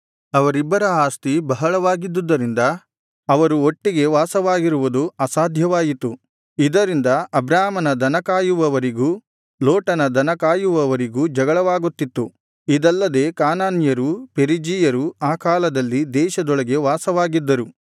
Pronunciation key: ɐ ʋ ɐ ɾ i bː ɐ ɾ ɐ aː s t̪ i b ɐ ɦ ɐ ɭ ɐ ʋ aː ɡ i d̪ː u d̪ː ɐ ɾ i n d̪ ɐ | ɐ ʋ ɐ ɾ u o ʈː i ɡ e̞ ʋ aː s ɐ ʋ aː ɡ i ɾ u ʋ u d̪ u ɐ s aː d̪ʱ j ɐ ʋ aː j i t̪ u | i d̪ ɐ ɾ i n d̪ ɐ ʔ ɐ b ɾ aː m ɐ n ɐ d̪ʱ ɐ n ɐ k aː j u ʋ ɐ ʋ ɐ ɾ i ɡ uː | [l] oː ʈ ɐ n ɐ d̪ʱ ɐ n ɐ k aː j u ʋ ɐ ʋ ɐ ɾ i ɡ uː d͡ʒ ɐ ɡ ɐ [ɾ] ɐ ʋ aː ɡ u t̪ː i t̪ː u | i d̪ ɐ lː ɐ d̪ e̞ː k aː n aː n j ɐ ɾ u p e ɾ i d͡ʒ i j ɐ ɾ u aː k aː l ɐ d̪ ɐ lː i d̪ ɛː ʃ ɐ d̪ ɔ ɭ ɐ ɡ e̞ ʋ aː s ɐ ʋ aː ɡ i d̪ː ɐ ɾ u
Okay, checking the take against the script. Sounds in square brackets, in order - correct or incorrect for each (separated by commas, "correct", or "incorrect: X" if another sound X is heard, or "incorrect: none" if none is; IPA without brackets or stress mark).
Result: correct, incorrect: ɭ